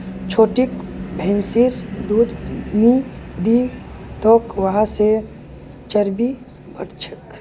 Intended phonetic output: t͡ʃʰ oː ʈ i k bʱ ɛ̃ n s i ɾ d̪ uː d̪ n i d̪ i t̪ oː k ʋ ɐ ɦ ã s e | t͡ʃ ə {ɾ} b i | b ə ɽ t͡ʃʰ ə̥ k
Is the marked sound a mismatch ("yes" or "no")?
no